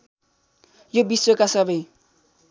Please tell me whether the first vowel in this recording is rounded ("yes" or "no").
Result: yes